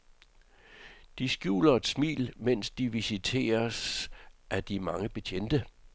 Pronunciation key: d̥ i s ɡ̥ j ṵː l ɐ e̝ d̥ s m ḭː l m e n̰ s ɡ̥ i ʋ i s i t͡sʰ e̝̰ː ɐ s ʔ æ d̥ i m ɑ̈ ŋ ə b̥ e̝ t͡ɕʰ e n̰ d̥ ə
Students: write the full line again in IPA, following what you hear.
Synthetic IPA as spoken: d̥ i s ɡ̥ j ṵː l ɐ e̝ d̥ s m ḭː l m e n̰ s d̥ i ʋ i s i t͡sʰ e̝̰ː ɐ s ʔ æ d̥ i m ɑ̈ ŋ ə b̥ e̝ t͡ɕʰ e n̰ d̥ ə